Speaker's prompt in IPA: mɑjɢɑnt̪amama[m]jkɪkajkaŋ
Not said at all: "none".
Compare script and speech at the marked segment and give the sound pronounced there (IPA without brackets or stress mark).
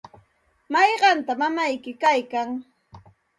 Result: none